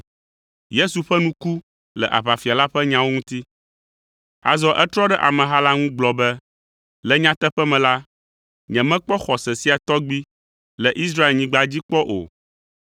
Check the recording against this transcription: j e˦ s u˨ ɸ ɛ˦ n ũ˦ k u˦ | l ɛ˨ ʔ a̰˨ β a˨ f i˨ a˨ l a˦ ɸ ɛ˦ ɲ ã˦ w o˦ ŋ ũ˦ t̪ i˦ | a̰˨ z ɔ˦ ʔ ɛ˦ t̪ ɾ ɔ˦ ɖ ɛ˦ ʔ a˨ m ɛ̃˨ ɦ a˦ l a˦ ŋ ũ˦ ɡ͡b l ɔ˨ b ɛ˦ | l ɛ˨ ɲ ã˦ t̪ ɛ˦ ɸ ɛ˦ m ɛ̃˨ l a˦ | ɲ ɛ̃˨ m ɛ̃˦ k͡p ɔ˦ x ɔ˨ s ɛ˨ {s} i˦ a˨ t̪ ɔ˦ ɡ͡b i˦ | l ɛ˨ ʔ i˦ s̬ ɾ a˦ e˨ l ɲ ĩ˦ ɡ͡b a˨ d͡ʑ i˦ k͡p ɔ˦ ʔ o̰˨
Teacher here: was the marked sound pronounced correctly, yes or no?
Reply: yes